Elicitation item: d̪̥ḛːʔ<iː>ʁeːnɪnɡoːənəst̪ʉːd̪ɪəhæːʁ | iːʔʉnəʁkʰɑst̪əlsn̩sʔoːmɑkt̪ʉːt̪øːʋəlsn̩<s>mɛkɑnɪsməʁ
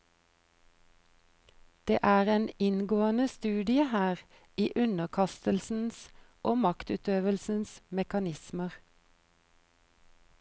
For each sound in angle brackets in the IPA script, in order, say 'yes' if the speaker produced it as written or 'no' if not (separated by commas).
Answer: no, yes